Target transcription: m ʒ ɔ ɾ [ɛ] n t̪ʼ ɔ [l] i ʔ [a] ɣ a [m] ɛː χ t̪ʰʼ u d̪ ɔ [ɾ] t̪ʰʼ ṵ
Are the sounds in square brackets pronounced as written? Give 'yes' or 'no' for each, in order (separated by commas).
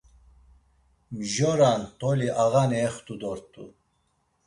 no, yes, yes, no, yes